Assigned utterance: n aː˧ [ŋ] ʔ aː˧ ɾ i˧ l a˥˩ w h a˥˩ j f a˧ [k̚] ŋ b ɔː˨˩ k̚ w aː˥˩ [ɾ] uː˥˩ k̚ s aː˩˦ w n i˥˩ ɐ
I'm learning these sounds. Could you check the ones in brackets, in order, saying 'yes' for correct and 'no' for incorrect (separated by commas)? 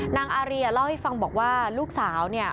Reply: yes, no, no